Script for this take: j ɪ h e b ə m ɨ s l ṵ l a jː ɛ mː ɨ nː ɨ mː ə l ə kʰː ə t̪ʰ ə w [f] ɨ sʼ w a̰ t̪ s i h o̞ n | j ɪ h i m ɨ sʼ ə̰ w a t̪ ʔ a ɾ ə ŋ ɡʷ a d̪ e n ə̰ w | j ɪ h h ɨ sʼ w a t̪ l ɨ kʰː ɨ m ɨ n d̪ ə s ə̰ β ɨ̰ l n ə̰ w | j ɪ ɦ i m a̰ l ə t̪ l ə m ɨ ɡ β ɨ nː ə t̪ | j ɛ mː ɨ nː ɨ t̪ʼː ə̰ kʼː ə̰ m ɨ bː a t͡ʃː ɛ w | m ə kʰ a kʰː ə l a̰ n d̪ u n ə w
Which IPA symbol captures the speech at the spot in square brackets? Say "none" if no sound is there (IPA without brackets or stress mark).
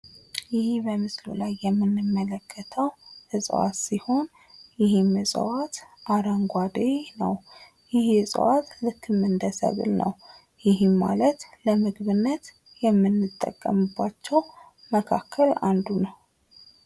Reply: h